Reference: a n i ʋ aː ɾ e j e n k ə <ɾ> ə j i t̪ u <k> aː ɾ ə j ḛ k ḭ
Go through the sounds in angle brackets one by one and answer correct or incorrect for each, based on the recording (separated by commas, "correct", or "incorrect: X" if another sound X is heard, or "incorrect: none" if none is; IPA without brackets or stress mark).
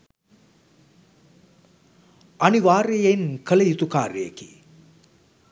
incorrect: l, correct